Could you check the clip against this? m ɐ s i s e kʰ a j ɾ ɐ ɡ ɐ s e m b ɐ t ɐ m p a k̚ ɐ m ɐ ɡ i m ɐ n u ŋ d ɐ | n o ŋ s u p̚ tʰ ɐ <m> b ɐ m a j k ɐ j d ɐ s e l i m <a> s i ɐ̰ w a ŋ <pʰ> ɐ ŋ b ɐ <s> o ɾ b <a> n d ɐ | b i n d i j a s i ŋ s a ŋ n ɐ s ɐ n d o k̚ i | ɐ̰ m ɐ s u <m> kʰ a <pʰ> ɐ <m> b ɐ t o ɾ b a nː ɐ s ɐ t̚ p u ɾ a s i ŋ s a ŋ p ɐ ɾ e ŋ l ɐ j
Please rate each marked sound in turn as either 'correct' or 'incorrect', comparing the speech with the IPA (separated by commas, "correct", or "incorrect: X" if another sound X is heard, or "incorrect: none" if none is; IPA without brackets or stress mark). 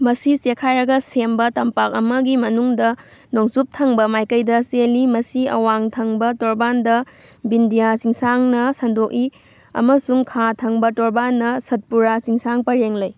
incorrect: ŋ, incorrect: ɐ, incorrect: tʰ, incorrect: t, correct, incorrect: ŋ, incorrect: tʰ, incorrect: ŋ